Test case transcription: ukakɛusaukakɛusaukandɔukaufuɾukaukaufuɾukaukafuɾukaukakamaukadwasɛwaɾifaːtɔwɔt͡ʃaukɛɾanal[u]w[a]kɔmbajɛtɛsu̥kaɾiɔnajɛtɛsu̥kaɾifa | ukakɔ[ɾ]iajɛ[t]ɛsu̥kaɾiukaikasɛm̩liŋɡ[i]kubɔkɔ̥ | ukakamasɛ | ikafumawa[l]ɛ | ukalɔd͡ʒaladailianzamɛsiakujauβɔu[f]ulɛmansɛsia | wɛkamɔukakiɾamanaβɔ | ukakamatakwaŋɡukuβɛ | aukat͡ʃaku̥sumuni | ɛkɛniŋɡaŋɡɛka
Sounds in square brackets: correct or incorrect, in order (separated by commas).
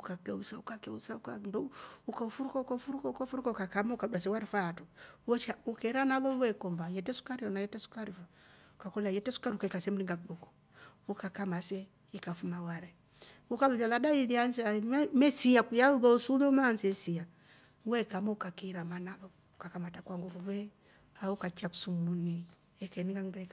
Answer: incorrect, incorrect, incorrect, correct, incorrect, incorrect, incorrect